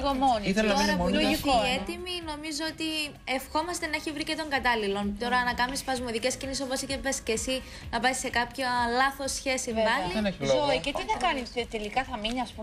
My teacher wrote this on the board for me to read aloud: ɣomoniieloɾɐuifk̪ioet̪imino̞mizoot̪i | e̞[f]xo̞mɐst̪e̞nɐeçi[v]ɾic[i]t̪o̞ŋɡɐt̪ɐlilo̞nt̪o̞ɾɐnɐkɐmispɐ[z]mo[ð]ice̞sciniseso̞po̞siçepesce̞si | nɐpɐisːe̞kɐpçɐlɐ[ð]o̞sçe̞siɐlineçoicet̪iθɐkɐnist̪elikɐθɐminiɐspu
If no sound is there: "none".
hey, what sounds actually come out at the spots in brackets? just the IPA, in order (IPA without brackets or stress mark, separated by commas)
f, v, e, z, ð, θ